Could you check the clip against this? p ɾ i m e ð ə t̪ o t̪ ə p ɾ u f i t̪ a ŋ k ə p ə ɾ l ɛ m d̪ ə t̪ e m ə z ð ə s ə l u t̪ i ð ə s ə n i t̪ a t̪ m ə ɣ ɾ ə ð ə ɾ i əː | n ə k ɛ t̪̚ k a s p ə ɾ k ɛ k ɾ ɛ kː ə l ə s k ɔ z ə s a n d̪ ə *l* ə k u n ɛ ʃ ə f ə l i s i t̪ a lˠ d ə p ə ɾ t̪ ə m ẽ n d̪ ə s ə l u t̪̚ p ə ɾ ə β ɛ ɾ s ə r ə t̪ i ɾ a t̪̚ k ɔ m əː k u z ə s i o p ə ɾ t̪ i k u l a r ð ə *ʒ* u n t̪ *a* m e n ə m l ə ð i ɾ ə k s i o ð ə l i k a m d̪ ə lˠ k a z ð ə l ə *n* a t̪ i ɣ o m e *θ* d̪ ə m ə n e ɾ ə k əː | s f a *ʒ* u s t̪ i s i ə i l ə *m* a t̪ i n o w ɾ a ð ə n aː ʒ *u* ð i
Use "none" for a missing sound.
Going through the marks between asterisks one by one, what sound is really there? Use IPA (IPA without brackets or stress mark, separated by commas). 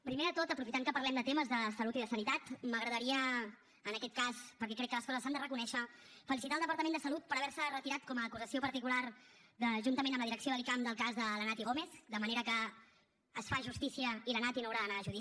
r, ʒ, ə, n, θ, ʒ, n, u